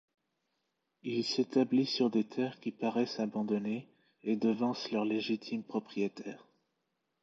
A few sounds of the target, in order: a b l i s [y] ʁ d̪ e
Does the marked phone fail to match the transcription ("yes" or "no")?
no